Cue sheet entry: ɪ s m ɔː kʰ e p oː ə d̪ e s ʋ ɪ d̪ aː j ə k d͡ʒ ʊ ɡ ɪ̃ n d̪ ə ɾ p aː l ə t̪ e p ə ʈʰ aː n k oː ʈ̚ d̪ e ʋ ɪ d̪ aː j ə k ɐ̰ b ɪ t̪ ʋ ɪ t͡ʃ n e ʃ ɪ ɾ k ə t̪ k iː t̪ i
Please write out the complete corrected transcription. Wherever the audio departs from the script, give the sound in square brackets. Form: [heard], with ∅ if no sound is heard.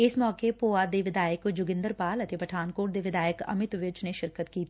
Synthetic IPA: ɪ s m ɔː [k] e p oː [a] d̪ e [∅] ʋ ɪ d̪ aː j ə k d͡ʒ ʊ ɡ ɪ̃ n d̪ ə ɾ p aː l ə t̪ e p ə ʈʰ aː n k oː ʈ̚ d̪ e ʋ ɪ d̪ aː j ə k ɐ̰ [m] ɪ t̪ ʋ ɪ t͡ʃ n e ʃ ɪ ɾ k ə t̪ k iː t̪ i

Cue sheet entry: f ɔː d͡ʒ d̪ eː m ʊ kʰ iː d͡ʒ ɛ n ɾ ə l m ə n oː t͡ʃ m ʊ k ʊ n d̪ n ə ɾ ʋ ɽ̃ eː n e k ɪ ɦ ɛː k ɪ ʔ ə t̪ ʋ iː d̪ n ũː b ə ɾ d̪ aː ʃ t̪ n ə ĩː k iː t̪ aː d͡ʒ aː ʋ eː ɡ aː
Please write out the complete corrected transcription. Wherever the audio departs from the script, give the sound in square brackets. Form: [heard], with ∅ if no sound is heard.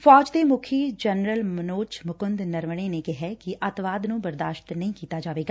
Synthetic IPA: f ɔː d͡ʒ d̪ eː m ʊ kʰ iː d͡ʒ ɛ n ɾ ə l m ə n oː t͡ʃ m ʊ k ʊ n d̪ n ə ɾ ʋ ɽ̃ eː n e k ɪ ɦ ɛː k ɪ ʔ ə t̪ ʋ [aː] d̪ n ũː b ə ɾ d̪ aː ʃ t̪ n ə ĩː k iː t̪ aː d͡ʒ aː ʋ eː ɡ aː

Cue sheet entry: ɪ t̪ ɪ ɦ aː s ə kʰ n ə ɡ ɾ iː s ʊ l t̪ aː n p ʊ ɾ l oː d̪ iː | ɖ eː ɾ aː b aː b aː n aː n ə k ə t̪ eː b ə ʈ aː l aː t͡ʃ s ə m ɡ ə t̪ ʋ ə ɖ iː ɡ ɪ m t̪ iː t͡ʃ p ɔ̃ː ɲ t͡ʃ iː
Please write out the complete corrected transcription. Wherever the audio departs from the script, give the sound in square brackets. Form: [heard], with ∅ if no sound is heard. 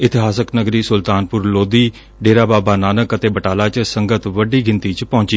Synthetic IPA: ɪ t̪ ɪ ɦ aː s ə [k] n ə ɡ ɾ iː s ʊ l t̪ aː n p ʊ ɾ l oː d̪ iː | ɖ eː ɾ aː b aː b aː n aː n ə k ə t̪ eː b ə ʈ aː l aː t͡ʃ s ə [ŋ] ɡ ə t̪ ʋ ə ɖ iː ɡ ɪ [n] t̪ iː t͡ʃ p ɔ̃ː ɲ t͡ʃ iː

